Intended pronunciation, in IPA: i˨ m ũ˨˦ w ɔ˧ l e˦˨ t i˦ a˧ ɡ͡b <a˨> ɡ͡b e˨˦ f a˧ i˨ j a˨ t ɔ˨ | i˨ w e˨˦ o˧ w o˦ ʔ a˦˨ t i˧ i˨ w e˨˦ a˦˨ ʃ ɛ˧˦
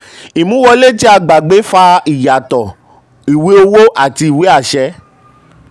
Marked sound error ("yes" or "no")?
no